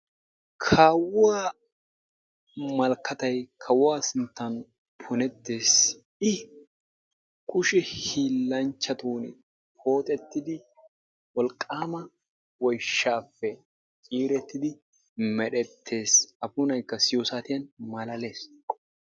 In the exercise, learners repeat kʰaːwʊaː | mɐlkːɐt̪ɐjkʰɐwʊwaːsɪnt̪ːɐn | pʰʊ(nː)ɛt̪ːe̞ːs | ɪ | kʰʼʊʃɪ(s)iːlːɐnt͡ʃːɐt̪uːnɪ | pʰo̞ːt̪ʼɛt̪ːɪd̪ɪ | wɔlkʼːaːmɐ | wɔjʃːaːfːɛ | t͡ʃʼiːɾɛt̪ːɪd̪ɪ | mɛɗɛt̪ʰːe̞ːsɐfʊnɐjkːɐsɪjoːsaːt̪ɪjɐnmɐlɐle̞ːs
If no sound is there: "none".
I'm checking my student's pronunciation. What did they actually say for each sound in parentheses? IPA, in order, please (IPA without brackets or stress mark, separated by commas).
n, h